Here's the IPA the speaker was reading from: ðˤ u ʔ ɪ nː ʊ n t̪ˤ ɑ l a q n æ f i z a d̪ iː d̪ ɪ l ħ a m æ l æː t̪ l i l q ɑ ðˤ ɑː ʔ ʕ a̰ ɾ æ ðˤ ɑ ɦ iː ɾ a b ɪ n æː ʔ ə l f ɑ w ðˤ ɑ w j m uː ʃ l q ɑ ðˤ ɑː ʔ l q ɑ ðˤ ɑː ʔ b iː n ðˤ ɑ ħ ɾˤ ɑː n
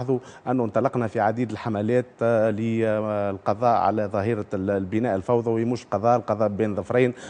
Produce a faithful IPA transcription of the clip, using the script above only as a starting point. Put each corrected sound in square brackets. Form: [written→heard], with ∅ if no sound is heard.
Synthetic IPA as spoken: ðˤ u ʔ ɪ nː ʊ n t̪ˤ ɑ l [a→ɑ] q n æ f i [z→ʕ] a d̪ iː d̪ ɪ l ħ a m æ l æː t̪ l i l q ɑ ðˤ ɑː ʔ ʕ a̰ [ɾ→l] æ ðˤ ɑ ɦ iː ɾ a b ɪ n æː ʔ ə l f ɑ w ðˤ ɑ w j m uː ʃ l q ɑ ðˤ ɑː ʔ l q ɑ ðˤ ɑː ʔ b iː n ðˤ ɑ [ħ→f] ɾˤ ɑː n

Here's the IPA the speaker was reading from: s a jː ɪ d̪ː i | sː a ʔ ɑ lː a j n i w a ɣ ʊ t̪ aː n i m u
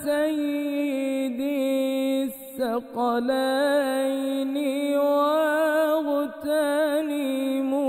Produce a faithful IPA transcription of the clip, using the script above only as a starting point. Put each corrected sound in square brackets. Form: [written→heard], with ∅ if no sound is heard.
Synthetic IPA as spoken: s a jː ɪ [d̪ː→d̪] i | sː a [ʔ→q] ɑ [lː→l] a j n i w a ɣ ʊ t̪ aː n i m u

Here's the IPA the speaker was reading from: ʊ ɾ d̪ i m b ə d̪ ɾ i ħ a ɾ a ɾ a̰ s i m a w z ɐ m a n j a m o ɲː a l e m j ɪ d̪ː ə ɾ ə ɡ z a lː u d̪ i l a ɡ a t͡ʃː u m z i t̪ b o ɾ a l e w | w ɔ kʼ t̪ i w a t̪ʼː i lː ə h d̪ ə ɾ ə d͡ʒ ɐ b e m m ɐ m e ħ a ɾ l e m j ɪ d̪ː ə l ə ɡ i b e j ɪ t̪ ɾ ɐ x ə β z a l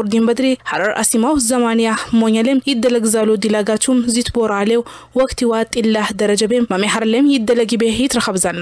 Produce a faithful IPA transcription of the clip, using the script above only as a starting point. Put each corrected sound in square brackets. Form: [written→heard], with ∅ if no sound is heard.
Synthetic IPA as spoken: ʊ ɾ d̪ i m b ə d̪ ɾ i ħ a ɾ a ɾ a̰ s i m a w z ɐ m a n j a m o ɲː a l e m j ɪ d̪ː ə [ɾ→l] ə ɡ z a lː u d̪ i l a ɡ a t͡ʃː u m z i t̪ b o ɾ a l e w | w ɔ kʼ t̪ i w a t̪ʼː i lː [ə→a] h d̪ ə ɾ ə d͡ʒ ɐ b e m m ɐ m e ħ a ɾ l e m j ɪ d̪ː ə l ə ɡ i b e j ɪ t̪ ɾ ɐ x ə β z a l

